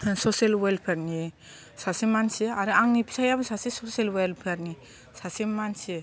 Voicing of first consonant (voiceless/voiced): voiceless